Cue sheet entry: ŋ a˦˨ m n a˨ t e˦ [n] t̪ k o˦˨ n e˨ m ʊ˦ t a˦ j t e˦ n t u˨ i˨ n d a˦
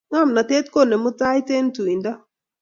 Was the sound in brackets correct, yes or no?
no